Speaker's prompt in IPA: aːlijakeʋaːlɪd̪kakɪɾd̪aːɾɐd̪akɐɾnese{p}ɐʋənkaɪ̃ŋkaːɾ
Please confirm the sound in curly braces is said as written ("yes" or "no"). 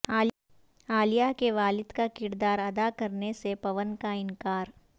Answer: yes